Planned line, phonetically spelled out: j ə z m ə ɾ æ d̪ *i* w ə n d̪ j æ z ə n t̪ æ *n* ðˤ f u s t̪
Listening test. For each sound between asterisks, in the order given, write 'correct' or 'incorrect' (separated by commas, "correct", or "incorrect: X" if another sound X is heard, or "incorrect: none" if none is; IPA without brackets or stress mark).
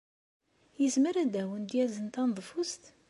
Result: incorrect: æ, correct